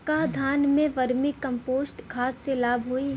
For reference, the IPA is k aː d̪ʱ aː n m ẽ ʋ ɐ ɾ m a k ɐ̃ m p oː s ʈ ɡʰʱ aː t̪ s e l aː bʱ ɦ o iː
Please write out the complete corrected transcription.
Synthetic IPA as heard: k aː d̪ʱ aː n m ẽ ʋ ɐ ɾ m i k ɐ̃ m p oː s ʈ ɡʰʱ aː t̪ s e l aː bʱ ɦ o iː